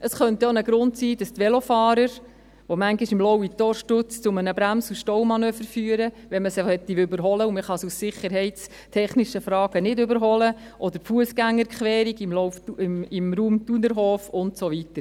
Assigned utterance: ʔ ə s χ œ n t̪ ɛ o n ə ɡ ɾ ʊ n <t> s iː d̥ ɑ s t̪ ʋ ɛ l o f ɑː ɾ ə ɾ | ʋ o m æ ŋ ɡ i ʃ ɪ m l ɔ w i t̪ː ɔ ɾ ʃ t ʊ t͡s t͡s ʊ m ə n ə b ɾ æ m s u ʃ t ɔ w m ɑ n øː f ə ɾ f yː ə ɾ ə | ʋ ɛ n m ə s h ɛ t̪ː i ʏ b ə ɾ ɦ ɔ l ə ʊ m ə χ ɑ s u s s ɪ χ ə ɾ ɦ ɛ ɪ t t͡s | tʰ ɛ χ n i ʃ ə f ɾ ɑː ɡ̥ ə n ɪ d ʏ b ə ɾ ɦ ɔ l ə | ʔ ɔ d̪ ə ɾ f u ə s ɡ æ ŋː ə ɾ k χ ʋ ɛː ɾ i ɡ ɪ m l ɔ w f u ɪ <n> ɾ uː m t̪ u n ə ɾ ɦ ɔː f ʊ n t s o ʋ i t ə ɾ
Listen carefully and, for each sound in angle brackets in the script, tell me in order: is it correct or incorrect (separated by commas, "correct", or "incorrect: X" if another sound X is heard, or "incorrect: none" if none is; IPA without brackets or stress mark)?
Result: correct, incorrect: m